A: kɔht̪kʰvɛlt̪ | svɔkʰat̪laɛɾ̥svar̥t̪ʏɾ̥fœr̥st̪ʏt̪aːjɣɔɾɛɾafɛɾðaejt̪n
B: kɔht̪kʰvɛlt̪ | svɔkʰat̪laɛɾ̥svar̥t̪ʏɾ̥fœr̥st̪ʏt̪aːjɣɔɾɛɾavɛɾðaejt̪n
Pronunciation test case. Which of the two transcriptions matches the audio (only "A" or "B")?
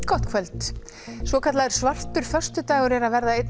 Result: B